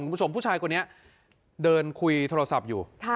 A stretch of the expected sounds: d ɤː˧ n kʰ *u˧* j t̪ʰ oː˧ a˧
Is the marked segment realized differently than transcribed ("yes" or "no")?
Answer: no